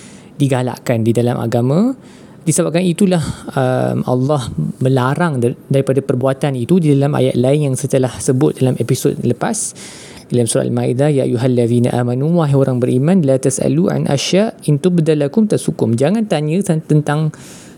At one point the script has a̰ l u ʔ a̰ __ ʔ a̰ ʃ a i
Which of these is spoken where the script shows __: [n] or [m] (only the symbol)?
n